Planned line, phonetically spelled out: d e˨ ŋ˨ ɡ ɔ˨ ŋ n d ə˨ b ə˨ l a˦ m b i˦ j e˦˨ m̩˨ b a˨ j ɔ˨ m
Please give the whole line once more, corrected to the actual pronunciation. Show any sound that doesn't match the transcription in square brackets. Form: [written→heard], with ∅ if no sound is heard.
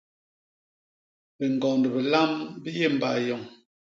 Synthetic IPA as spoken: [d→b] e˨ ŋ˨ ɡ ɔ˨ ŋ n d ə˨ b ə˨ l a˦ m b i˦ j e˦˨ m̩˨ b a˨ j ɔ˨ [m→ŋ]